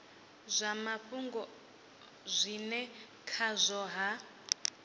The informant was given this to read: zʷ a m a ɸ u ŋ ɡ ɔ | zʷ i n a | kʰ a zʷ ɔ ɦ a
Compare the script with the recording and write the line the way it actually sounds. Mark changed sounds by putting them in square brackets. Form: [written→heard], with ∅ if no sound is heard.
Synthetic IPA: zʷ a m a ɸ u ŋ ɡ ɔ | zʷ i n [a→ɛ] | kʰ a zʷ ɔ ɦ a